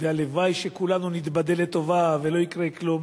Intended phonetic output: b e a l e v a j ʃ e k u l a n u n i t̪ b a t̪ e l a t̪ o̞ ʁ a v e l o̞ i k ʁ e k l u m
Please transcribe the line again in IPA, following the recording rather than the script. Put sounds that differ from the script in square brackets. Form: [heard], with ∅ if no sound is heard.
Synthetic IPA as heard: [v] e a l e v a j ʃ e k u l a n u n i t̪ b a [d̪] e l [e] t̪ o̞ [v] a v e l o̞ i k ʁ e k l u m